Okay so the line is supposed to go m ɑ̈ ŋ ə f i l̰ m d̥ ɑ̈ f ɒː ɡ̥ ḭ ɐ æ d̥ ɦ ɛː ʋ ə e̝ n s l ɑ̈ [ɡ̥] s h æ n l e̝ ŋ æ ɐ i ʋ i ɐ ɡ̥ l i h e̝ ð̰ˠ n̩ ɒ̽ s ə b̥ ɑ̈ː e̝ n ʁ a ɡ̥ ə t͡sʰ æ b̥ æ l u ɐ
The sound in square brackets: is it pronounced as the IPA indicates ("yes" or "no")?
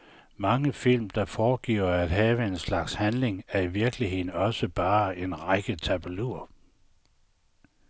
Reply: yes